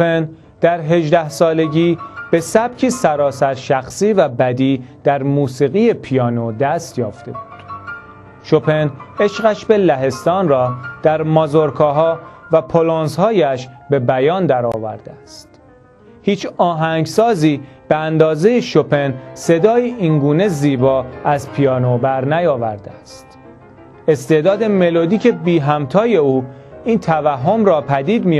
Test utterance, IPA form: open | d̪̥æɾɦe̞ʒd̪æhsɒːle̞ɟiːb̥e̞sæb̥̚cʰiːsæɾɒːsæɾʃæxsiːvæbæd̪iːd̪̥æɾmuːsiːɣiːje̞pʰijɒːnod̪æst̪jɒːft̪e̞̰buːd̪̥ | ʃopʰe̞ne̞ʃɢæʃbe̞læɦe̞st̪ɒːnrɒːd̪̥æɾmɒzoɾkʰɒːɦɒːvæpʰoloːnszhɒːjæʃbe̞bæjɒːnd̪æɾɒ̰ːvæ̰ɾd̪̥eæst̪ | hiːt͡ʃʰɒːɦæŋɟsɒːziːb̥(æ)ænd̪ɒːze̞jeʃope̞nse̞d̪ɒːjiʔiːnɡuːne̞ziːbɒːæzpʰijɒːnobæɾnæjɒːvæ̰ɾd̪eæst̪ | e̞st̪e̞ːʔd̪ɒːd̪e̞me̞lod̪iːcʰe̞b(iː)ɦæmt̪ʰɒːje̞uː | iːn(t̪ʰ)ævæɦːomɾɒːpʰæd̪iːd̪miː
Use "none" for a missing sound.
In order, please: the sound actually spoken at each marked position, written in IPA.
e, iː, t̪ʰ

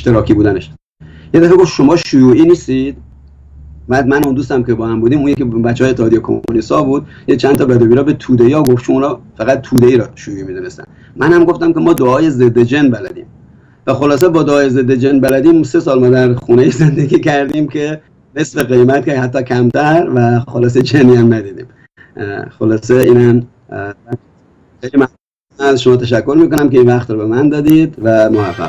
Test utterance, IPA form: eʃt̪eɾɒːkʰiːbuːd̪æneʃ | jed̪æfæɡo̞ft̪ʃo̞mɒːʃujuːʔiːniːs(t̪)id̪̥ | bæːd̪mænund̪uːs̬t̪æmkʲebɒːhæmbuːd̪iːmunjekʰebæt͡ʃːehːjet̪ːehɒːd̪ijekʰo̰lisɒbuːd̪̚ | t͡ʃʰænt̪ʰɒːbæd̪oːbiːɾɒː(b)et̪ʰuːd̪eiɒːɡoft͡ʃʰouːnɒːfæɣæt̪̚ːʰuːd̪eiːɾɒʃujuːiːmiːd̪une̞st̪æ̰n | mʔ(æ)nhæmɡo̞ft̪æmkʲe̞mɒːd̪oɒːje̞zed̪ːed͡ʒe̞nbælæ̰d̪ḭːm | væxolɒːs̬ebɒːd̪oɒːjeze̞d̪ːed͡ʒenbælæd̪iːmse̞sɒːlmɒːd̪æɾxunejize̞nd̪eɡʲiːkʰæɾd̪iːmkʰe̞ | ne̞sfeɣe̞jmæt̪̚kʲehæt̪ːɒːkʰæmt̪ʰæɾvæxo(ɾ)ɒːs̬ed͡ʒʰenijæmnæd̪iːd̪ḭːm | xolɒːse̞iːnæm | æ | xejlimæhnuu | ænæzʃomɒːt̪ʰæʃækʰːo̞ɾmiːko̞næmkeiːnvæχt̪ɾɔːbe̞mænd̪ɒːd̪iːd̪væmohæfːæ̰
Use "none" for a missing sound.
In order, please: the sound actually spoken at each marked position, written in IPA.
t̪, b, æ, l

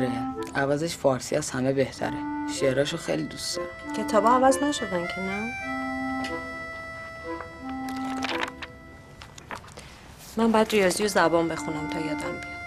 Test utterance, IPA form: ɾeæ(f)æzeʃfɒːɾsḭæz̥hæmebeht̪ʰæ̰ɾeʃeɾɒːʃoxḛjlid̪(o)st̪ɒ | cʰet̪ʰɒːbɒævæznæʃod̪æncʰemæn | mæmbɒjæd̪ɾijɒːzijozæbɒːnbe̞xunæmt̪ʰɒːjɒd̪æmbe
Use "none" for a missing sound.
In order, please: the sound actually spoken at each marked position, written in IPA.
v, u

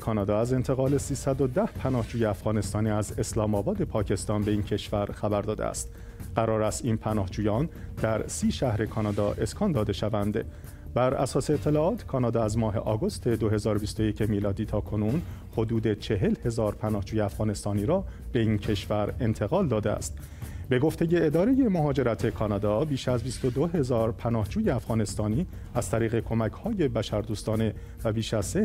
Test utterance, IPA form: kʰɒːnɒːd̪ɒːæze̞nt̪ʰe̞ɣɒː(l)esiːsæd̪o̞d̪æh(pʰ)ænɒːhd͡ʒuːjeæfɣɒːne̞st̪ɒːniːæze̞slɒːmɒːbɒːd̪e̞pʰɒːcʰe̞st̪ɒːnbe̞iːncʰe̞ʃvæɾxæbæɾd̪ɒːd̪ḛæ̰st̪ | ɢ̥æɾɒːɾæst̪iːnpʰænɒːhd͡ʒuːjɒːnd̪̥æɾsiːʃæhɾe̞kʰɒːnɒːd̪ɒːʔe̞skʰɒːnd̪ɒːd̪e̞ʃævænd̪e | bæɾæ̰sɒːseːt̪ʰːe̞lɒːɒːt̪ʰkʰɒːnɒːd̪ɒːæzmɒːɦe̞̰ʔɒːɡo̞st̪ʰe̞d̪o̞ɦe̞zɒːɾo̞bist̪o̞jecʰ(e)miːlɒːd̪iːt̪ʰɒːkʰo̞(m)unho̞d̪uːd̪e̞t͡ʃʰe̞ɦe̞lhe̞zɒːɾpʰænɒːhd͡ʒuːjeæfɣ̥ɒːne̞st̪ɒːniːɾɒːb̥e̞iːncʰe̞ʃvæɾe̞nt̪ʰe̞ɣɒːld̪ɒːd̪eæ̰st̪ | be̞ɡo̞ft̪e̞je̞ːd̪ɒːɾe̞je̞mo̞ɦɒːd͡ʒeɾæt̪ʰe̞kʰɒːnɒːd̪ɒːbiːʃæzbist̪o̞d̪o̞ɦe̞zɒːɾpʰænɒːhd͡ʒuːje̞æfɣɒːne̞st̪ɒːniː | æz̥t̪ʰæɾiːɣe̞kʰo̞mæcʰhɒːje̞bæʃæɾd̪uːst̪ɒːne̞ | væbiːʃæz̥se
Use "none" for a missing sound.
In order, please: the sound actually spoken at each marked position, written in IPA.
l, pʰ, e, n

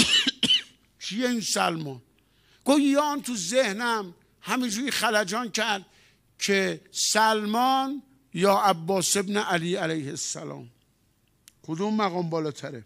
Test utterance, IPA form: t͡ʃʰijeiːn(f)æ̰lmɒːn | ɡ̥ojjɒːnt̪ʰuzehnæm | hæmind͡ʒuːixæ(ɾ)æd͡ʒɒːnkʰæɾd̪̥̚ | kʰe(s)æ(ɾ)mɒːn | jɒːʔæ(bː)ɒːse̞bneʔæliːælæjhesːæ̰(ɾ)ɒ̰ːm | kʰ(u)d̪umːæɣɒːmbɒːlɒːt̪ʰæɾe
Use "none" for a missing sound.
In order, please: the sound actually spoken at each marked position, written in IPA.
s, l, s, l, bː, l, o

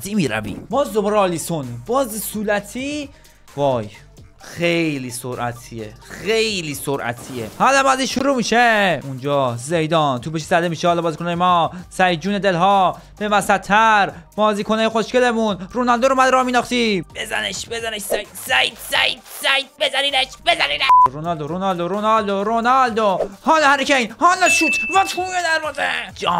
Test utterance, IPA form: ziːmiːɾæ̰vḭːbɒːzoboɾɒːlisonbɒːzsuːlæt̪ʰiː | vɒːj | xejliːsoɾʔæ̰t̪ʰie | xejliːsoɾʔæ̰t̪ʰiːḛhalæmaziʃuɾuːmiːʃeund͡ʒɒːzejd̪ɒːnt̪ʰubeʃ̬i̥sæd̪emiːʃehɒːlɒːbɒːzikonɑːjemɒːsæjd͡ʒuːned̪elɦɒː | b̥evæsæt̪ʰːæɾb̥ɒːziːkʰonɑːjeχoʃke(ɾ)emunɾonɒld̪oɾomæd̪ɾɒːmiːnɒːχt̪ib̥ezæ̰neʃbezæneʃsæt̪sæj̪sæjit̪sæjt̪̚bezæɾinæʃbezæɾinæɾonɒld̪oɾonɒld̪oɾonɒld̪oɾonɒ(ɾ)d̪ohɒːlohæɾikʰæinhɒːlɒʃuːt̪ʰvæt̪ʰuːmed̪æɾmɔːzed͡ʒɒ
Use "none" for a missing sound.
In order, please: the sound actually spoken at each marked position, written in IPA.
l, l

